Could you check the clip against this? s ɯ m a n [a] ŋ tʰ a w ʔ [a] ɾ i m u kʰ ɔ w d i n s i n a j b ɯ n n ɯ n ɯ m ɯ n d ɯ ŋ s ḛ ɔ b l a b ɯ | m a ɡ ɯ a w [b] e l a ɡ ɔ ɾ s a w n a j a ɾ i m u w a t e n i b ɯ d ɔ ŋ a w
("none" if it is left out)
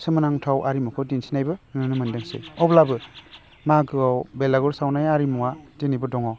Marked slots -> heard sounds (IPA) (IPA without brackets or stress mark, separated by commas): a, a, b